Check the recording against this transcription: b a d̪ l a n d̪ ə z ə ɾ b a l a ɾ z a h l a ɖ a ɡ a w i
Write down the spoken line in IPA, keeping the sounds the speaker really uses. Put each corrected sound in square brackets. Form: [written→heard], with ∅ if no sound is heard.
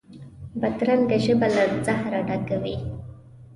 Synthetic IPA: b a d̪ [l→ɾ] a n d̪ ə [z→ʒ] ə [ɾ→∅] b a l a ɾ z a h [l→ɾ] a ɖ a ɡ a w i

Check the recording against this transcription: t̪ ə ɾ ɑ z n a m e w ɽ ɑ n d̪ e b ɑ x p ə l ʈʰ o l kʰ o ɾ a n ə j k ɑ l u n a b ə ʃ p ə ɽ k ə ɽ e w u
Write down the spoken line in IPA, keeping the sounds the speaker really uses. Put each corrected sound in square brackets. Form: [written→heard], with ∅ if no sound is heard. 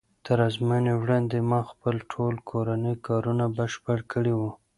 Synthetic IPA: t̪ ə ɾ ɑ z [n→m] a [m→n] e w ɽ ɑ n d̪ e [b→m] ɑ x p ə l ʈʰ o l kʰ o ɾ a n ə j k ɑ [l→ɾ] u n a b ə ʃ p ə ɽ k ə ɽ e w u

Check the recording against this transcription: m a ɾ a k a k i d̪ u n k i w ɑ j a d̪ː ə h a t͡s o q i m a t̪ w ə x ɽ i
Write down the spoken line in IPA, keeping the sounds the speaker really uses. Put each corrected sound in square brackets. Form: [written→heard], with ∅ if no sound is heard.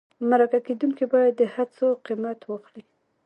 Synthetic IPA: m a ɾ a k a k [i→e] d̪ u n k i [w→b] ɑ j a d̪ː ə h a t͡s o q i m a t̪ w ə x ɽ i

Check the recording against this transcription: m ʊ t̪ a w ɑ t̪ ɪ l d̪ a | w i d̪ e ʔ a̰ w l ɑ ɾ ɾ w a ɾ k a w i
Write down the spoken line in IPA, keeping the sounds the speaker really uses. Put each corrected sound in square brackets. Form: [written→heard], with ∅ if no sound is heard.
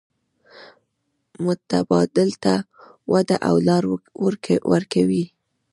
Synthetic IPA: m ʊ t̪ a [w→b] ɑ [t̪→d̪] ɪ l [d̪→t̪] a | w [i→a] d̪ [e→a] ʔ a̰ w l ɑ ɾ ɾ w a ɾ k a w i

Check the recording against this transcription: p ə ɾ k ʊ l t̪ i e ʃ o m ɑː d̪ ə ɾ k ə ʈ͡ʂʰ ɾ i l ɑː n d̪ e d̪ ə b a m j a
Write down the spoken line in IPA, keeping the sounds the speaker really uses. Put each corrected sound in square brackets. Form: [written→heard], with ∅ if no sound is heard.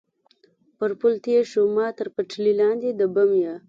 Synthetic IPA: p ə ɾ [k→p] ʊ l t̪ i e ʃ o m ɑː [d̪→t̪] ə ɾ [k→p] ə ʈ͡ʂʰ [ɾ→l] i l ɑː n d̪ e d̪ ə b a m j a

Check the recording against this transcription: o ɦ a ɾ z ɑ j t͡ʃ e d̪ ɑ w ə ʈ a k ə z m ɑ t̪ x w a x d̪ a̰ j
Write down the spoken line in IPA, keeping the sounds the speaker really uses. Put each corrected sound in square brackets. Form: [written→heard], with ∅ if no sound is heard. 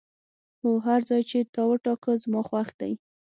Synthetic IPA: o ɦ a ɾ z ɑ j t͡ʃ e [d̪→t̪] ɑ w ə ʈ [a→ɑ] k ə z m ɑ [t̪→∅] x w a x d̪ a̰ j

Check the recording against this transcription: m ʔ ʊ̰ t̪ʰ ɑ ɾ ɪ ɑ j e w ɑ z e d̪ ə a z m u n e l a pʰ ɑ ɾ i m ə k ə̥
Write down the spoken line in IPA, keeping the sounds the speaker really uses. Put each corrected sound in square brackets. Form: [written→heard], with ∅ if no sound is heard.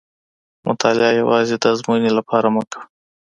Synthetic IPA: m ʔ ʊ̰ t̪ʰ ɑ [ɾ→l] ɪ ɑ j [e→a] w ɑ z e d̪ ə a z m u n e l a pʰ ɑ ɾ [i→a] m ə k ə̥

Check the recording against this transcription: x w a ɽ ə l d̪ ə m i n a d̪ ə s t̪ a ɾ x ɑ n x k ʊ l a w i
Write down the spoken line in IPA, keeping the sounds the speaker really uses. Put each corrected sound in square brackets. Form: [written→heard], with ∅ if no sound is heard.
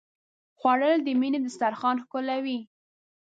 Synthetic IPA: x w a ɽ ə l d̪ ə m i n [a→e] d̪ ə s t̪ a ɾ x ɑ n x k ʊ l a w i

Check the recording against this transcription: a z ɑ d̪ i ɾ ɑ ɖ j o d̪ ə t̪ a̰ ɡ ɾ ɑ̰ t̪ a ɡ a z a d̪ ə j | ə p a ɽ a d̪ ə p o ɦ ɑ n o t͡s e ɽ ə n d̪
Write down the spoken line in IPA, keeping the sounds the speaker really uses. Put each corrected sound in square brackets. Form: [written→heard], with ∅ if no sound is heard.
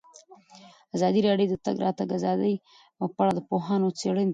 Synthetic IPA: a z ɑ d̪ i ɾ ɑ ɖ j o d̪ ə t̪ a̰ ɡ ɾ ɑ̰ t̪ a ɡ a z [a→ɑ] d̪ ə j | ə p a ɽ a d̪ ə p o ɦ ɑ n o t͡s e ɽ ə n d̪

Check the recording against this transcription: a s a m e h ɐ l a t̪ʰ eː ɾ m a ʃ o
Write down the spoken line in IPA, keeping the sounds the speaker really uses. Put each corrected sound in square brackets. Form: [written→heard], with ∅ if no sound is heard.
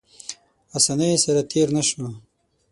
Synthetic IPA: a s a [m→n] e [h→s] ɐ [l→ɾ] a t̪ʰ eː ɾ [m→n] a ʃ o

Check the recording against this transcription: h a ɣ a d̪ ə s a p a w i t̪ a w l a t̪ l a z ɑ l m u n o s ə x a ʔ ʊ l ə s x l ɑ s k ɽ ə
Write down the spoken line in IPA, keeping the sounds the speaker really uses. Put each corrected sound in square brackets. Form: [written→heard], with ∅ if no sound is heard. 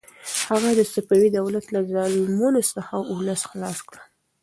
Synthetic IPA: h a ɣ a d̪ ə s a p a w i [t̪→d̪] a w l a t̪ l a z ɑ l m u n o s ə x a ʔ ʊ l ə s x l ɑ s k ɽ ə

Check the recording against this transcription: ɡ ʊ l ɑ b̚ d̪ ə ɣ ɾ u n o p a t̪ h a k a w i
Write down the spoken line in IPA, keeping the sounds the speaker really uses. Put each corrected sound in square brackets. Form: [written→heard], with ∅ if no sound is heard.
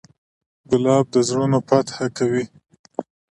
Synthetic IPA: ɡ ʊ l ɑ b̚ d̪ ə [ɣ→z] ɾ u n o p a t̪ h a k a w i

